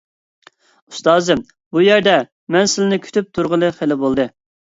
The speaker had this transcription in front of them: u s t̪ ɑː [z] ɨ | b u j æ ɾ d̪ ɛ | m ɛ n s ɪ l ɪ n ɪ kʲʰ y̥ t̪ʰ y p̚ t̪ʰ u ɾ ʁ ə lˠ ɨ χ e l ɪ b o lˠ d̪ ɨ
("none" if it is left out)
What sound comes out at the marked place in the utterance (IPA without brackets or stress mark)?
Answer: z